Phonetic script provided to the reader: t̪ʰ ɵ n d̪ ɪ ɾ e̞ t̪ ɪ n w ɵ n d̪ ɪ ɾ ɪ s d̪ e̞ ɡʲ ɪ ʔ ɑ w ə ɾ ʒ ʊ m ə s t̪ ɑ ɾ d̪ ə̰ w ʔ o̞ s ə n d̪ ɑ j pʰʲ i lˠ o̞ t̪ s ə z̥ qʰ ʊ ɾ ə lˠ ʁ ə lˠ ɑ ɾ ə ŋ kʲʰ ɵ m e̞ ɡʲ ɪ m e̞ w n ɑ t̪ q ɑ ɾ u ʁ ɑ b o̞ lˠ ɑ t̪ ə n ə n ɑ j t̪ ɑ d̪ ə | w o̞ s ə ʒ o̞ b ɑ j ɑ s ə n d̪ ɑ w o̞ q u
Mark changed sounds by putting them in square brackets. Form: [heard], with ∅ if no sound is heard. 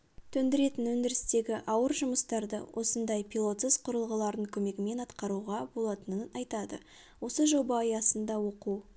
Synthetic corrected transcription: t̪ʰ ɵ n d̪ ɪ ɾ e̞ t̪ ɪ n w ɵ n d̪ ɪ ɾ ɪ s [t̪] e̞ ɡʲ ɪ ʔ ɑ w ə ɾ ʒ ʊ m ə s t̪ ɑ ɾ d̪ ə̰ w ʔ o̞ s ə n d̪ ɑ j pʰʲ i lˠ o̞ t̪ s ə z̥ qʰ ʊ ɾ ə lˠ ʁ ə lˠ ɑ ɾ ə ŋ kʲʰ ɵ m e̞ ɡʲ ɪ m e̞ [∅] n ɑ t̪ q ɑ ɾ u ʁ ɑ b o̞ lˠ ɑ t̪ ə n ə n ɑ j t̪ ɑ d̪ ə | w o̞ s ə ʒ o̞ b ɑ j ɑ s ə n d̪ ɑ w o̞ q u